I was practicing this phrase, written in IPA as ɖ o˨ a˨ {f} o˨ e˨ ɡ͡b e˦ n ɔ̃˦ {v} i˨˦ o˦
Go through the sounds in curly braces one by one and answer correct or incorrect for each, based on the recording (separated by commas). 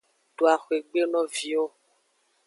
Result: incorrect, correct